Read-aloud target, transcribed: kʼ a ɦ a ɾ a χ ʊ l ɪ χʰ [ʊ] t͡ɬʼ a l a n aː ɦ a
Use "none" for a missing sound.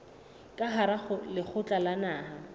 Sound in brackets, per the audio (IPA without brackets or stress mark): ʊ